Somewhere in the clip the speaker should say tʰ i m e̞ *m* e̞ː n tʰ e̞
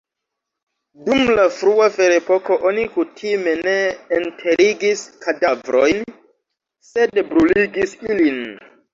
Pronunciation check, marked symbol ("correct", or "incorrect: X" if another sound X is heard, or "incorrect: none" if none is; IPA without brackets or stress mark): incorrect: n